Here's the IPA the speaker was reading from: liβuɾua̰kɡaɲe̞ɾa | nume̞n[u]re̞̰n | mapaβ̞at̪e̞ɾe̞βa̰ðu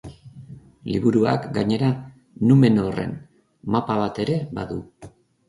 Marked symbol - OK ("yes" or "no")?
no